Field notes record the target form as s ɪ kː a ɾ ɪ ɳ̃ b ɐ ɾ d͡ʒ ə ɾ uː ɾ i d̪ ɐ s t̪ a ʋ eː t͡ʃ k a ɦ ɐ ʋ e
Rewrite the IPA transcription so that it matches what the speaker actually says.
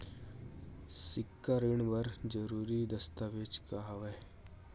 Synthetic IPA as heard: s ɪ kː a ɾ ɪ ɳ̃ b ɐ ɾ d͡ʒ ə ɾ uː ɾ i d̪ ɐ s t̪ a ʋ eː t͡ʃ k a ɦ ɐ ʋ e